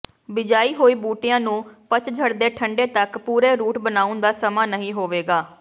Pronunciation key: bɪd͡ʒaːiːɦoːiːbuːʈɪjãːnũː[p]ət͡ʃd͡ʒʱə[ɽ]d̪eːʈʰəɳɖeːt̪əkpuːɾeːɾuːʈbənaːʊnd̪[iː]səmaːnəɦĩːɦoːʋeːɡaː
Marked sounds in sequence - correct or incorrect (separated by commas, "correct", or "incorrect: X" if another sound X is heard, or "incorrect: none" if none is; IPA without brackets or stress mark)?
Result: correct, correct, incorrect: aː